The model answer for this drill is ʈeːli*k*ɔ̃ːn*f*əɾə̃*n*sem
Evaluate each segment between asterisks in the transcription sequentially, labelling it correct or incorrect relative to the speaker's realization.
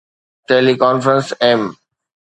correct, correct, correct

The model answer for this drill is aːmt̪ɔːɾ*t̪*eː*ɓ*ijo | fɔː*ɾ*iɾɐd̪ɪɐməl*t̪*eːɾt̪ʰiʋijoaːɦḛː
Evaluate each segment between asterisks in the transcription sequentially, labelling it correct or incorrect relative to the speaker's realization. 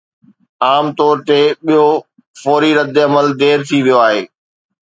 correct, correct, correct, incorrect: d̪

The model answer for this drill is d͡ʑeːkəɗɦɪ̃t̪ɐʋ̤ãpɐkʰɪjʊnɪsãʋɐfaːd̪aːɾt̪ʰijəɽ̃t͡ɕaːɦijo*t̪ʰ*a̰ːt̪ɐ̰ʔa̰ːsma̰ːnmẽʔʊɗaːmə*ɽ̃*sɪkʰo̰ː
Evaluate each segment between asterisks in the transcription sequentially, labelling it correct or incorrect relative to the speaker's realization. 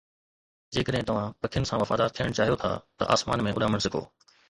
correct, correct

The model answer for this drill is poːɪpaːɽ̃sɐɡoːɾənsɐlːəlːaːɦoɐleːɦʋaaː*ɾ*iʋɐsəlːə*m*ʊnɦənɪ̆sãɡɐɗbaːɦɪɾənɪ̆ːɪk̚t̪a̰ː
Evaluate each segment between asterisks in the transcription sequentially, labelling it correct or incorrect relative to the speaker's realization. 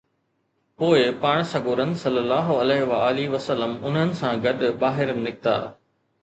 incorrect: l, correct

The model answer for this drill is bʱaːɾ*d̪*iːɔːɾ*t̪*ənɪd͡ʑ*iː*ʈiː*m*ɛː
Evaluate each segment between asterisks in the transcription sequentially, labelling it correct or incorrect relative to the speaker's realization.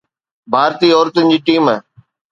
incorrect: t̪, correct, correct, correct

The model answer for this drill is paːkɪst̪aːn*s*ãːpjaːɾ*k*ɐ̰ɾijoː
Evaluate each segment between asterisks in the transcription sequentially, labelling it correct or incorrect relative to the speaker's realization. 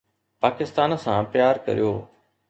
correct, correct

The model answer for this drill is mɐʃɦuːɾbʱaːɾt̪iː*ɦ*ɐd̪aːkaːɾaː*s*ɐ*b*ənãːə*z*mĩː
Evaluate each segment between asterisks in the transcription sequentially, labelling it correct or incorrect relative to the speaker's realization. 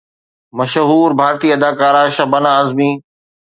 incorrect: none, incorrect: ʃ, correct, correct

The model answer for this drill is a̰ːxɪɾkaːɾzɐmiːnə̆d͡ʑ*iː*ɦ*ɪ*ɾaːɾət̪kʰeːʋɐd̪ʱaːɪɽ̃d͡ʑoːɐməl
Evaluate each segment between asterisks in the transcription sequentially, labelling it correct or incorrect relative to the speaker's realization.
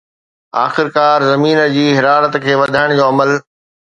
correct, correct

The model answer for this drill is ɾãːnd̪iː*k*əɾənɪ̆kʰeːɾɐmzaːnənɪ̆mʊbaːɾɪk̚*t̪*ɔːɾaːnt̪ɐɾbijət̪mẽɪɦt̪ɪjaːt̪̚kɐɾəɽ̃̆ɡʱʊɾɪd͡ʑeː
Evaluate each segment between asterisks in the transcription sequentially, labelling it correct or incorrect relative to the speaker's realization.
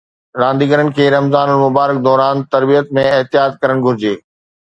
incorrect: ɡ, incorrect: d̪

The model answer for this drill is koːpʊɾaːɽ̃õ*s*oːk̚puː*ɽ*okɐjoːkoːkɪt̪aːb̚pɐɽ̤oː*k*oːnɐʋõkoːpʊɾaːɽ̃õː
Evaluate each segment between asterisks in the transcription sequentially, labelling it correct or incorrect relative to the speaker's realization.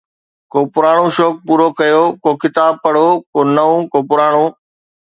incorrect: ʃ, incorrect: ɾ, correct

